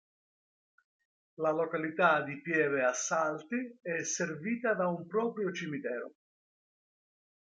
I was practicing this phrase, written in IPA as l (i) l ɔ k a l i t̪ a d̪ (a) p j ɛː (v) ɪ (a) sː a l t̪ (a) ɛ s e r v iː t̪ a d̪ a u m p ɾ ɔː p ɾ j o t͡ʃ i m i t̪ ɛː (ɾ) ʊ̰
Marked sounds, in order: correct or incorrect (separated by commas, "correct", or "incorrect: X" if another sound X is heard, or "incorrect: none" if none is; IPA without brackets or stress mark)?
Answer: incorrect: a, incorrect: i, correct, correct, incorrect: i, correct